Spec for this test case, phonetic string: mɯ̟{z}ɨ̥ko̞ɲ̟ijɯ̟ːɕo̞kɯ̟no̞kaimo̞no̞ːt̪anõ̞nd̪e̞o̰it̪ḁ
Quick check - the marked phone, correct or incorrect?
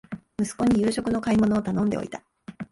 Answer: incorrect